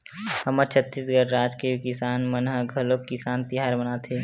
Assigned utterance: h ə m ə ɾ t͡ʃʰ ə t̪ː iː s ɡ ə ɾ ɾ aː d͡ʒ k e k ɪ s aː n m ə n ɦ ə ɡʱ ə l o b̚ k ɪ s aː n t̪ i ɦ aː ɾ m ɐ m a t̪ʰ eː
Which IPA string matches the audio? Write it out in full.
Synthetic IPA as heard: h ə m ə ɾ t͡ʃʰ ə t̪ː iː s ɡ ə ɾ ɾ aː d͡ʒ k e k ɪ s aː n m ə n ɦ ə ɡʱ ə l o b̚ k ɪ s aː n t̪ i ɦ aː ɾ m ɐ n a t̪ʰ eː